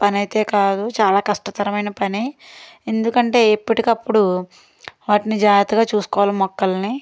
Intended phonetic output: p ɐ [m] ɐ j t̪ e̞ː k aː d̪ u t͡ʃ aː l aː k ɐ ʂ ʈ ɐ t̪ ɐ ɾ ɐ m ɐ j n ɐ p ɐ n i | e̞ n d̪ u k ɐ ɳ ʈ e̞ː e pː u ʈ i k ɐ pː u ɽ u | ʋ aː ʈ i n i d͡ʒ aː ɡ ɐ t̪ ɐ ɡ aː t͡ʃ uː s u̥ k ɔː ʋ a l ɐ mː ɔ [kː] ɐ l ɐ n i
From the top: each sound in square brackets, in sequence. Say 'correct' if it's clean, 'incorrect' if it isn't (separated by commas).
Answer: incorrect, correct